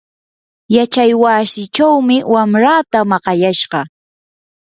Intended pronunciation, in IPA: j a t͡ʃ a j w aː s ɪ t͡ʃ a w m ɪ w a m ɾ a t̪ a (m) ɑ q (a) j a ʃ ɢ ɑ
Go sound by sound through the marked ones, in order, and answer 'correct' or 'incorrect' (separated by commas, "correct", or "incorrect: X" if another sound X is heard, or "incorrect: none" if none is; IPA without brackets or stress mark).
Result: correct, incorrect: ɑ